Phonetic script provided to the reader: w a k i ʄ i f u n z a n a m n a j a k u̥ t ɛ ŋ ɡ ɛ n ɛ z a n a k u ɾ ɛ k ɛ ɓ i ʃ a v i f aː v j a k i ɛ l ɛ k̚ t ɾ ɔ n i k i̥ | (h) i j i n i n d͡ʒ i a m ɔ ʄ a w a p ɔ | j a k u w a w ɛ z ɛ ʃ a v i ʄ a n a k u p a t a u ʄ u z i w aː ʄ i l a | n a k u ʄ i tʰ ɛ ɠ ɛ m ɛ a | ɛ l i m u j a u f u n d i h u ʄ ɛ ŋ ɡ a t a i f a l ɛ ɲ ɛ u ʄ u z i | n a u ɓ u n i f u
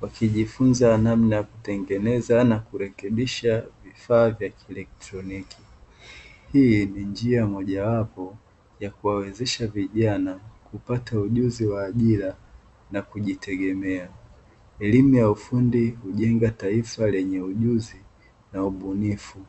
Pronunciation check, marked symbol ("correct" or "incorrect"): correct